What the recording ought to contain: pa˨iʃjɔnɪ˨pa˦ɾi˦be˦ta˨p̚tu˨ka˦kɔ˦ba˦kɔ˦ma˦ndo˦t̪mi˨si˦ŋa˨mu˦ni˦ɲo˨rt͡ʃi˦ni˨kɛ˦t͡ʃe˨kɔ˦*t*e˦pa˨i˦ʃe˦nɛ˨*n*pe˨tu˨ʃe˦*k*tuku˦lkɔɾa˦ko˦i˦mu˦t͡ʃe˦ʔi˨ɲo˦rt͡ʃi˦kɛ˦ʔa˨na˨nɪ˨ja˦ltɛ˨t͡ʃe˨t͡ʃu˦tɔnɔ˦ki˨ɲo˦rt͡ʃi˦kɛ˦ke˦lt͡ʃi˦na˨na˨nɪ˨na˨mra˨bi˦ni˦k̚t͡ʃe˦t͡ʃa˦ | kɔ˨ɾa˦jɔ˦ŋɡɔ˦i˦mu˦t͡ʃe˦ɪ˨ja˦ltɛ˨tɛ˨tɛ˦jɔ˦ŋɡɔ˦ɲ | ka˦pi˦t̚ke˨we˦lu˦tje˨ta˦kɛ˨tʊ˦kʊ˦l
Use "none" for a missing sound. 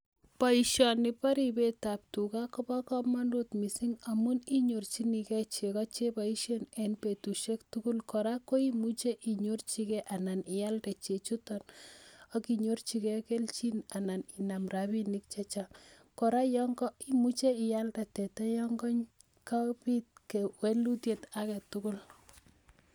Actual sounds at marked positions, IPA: t͡ʃ, n, k

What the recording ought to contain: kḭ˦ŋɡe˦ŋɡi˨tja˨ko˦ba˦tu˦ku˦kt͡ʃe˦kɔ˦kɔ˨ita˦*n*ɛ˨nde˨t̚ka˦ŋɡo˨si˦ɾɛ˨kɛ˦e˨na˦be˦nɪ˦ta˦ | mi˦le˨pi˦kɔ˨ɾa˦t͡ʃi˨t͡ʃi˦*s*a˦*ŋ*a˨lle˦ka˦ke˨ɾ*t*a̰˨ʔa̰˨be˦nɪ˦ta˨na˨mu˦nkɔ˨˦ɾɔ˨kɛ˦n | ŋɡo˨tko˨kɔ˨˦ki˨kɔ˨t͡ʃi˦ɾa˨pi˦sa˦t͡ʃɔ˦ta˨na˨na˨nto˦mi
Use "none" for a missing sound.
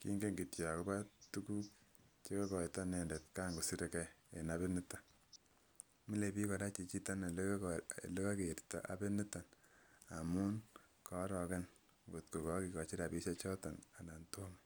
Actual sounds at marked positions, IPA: n, t, n, t

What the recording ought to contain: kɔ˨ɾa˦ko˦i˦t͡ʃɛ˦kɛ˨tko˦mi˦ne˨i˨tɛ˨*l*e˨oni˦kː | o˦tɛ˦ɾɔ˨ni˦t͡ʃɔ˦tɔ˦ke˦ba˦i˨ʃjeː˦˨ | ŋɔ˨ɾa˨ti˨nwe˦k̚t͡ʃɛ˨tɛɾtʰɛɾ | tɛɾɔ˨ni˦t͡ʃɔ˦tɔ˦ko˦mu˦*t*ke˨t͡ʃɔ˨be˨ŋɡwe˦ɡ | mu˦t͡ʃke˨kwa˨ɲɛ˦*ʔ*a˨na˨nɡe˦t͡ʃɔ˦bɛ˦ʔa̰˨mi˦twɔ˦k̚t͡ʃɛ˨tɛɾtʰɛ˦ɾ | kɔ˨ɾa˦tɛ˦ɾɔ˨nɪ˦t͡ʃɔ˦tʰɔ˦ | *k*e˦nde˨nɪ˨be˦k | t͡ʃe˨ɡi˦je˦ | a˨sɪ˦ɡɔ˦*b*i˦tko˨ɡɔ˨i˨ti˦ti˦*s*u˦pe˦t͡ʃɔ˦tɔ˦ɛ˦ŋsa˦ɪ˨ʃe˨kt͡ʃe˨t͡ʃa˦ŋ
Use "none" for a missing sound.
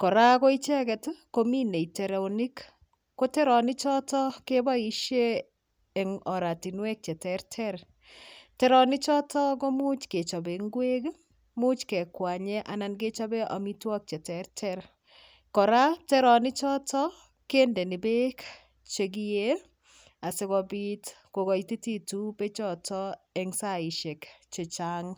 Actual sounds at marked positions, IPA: ɾ, t͡ʃ, ʔ, k, b, t

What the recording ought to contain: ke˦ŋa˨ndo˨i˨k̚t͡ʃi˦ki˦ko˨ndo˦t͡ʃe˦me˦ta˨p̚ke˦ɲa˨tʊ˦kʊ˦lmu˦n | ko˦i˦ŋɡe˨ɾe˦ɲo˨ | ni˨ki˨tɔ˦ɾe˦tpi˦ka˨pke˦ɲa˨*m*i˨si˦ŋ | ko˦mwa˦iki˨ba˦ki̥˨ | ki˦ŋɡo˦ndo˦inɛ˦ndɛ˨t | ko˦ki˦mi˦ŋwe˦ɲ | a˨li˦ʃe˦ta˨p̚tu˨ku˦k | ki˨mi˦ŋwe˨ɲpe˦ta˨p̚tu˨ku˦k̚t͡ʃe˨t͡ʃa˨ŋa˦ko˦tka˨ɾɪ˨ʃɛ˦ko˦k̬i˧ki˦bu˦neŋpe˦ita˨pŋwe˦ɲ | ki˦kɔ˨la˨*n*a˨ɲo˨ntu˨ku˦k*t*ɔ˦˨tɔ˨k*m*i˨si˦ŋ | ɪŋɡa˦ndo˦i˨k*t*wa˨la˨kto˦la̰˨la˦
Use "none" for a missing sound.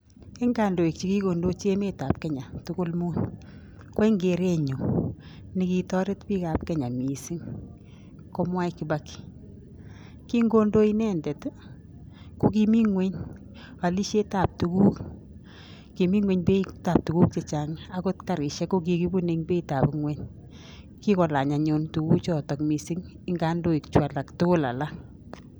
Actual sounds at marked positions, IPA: m, ɲ, t͡ʃ, m, t͡ʃ

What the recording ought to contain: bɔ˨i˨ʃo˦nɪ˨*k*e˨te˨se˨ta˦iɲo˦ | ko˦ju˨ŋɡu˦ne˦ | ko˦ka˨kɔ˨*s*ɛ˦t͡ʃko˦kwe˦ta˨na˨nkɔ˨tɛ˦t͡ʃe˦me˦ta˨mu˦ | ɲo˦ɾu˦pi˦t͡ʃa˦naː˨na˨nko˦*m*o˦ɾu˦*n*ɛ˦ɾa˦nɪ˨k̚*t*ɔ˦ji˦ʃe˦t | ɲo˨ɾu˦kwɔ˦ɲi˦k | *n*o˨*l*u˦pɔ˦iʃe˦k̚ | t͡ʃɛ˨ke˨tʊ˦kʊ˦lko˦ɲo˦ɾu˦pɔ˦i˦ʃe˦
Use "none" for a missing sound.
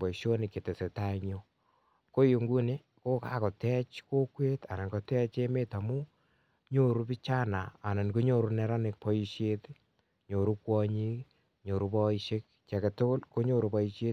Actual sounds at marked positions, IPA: k, t, ɲ, n, p, ɲ, ɾ

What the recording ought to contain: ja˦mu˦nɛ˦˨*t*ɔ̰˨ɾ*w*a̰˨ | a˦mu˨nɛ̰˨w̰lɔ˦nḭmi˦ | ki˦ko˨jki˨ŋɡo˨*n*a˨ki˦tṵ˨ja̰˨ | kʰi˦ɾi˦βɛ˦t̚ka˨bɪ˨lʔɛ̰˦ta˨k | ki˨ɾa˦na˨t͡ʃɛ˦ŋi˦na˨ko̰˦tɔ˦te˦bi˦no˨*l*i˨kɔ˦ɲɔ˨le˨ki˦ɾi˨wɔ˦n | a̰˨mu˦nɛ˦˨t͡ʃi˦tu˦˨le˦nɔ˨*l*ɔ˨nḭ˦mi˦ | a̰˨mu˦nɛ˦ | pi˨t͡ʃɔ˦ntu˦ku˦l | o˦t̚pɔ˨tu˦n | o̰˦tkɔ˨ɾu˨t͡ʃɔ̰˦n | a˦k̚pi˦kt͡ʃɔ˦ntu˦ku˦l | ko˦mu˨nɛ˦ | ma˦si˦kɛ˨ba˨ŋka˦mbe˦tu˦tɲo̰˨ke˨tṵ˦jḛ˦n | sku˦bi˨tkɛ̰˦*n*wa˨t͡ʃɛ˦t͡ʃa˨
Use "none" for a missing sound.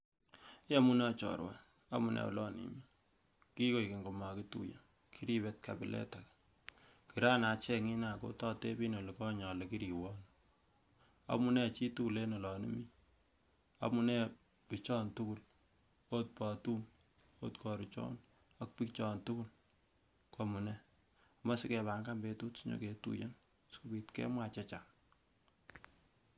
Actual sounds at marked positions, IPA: t͡ʃ, w, m, l, l, m

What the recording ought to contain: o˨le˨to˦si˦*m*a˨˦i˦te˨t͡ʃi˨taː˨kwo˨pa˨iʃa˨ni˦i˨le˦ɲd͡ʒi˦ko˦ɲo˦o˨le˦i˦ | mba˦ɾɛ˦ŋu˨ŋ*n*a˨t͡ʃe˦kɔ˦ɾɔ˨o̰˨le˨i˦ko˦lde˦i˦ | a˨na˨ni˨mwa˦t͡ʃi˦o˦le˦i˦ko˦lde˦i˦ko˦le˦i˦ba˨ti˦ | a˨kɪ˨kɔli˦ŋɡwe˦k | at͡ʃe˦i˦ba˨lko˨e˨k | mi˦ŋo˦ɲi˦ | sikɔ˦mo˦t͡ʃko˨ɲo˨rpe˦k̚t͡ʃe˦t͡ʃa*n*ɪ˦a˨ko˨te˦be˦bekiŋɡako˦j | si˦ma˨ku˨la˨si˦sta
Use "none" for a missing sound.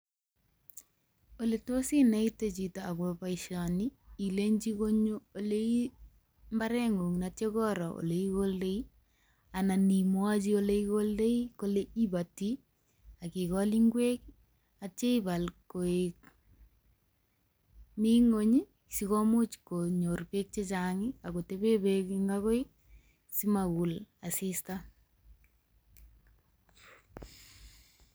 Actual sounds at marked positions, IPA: n, n, ŋ

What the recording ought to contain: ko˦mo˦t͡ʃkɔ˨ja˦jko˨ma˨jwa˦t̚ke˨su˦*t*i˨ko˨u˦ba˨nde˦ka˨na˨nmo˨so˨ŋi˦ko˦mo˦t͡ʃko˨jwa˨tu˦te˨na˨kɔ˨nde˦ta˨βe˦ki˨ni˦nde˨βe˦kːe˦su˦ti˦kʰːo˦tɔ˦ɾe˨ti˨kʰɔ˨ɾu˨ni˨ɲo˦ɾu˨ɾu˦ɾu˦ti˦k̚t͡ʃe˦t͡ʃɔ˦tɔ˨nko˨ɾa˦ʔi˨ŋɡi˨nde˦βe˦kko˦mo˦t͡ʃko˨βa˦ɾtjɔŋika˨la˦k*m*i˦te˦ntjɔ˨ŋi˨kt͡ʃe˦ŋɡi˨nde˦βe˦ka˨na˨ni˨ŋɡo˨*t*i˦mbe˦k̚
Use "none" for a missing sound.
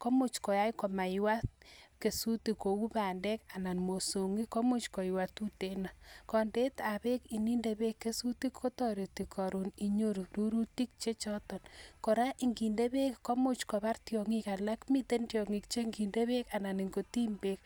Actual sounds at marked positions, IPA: t, m, t

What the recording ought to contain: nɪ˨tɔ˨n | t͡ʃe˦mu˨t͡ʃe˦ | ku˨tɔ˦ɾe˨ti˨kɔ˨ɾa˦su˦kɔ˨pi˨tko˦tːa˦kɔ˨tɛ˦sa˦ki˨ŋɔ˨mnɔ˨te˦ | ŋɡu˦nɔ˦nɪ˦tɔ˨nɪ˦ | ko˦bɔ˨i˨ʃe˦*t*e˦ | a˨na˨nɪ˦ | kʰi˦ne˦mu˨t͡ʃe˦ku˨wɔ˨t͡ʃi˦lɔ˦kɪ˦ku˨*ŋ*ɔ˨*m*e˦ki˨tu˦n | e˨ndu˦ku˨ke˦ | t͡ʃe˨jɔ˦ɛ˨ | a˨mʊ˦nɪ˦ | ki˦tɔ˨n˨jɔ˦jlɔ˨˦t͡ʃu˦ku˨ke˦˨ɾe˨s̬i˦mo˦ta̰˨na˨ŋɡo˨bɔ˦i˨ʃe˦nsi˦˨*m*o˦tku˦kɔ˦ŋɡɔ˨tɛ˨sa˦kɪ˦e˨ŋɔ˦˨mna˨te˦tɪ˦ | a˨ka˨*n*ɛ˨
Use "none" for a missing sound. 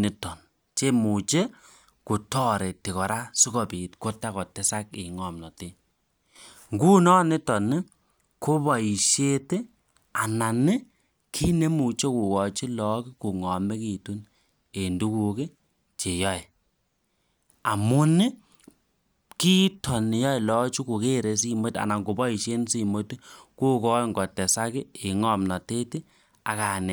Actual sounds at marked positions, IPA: t, ŋ, m, m, n

